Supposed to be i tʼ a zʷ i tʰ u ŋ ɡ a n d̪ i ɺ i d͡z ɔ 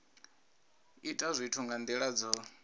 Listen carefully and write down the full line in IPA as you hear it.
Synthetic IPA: i tʼ a zʷ i tʰ u ŋ ɡ a n d̪ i ɺ a d͡z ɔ